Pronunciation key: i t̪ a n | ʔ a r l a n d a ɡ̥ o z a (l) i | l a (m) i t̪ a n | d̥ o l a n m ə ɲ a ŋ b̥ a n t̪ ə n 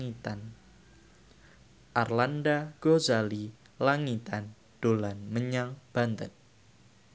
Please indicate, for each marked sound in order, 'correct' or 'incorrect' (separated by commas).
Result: correct, incorrect